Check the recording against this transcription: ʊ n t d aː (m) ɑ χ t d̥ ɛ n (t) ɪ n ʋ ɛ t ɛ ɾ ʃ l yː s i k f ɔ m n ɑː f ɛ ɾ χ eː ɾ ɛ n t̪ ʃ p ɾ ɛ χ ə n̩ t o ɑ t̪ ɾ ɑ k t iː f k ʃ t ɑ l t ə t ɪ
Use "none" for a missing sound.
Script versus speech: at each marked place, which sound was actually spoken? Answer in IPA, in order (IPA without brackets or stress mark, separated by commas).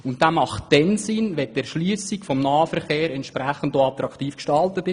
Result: m, s